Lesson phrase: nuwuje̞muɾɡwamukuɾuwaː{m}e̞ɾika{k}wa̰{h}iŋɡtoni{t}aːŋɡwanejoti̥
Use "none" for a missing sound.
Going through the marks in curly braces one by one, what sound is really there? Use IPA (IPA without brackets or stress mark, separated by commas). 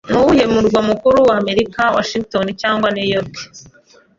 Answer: m, none, ʃ, c